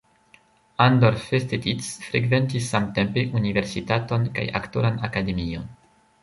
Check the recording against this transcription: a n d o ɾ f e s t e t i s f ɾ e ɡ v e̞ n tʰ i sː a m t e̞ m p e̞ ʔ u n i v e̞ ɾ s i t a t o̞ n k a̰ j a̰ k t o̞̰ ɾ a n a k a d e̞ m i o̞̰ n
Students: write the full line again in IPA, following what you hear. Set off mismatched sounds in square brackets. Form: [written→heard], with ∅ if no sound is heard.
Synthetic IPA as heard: a n d o ɾ f e s t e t i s f ɾ e ɡ v e̞ n [tʰ→t] i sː a m t e̞ m p e̞ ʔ u n i v e̞ ɾ s i t a t o̞ n k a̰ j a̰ k t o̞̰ ɾ a n a k a d e̞ m i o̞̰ n